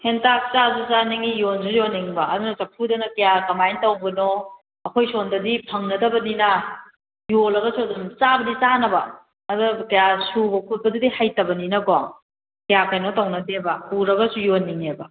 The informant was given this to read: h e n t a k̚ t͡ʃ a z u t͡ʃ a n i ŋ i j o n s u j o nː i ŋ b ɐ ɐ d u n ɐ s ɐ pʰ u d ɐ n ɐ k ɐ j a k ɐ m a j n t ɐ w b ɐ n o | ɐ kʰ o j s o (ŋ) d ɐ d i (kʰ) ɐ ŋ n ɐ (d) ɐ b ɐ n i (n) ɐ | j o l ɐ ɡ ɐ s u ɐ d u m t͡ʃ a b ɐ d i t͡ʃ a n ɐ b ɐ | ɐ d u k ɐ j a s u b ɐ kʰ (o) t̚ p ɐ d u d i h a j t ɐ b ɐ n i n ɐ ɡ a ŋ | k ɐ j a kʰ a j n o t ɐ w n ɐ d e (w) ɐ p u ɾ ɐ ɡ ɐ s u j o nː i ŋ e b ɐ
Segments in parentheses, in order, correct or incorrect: incorrect, incorrect, correct, correct, incorrect, incorrect

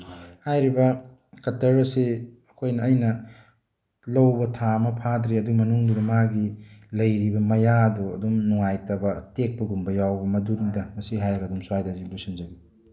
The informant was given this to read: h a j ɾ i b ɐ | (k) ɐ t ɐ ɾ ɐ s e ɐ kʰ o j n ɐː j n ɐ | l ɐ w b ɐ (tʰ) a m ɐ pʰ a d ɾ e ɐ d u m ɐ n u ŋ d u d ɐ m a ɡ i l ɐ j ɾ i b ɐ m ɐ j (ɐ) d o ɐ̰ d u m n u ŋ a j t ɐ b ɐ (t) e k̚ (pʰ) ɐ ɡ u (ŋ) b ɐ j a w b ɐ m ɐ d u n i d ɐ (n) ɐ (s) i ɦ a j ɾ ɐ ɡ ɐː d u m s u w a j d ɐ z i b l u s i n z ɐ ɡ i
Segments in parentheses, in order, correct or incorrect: correct, correct, incorrect, correct, incorrect, incorrect, incorrect, correct

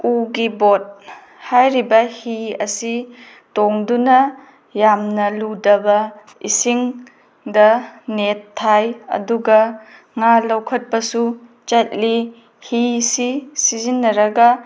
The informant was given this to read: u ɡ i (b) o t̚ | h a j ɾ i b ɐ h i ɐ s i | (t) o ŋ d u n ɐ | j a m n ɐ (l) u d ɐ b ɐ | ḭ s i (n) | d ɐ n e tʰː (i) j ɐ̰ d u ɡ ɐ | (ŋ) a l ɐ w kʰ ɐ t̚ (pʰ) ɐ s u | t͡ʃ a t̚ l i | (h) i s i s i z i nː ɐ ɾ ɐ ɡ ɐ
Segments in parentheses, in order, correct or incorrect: correct, correct, correct, incorrect, incorrect, correct, incorrect, correct

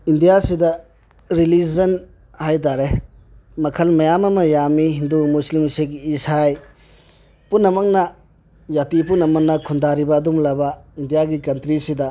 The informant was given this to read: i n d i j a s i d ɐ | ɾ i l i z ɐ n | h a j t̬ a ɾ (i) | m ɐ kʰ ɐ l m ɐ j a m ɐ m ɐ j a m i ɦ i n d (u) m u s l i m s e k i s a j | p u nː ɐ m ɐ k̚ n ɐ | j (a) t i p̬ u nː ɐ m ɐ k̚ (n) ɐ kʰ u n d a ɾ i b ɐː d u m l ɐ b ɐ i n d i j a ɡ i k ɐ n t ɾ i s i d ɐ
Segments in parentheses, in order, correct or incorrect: incorrect, correct, correct, correct

